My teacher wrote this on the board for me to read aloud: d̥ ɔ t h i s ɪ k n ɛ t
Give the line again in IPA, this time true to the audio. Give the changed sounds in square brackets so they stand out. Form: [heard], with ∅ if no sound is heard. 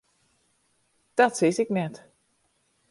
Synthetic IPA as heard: d̥ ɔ t [s] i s ɪ k n ɛ t